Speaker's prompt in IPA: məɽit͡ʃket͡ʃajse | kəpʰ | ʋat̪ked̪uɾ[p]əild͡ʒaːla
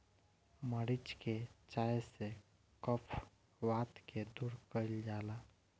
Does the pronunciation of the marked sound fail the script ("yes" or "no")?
yes